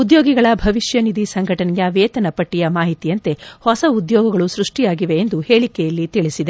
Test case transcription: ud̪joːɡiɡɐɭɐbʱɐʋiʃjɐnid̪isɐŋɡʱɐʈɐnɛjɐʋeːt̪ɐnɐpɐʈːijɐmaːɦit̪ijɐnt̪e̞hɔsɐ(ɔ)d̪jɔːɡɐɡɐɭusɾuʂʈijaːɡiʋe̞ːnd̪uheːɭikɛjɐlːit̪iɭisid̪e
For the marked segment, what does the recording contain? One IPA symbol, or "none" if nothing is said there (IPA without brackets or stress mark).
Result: u